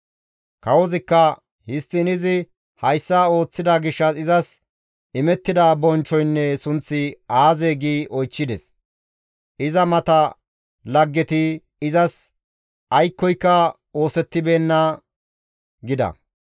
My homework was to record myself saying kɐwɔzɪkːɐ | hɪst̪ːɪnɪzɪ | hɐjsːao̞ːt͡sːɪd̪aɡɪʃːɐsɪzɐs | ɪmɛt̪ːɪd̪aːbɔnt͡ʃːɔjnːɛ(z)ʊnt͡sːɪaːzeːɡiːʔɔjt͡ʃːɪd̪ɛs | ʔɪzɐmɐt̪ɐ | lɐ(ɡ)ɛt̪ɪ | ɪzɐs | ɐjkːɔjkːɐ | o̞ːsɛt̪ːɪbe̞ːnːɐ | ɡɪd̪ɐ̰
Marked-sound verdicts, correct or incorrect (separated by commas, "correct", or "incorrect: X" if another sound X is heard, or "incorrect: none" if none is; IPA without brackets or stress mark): incorrect: s, incorrect: ɡː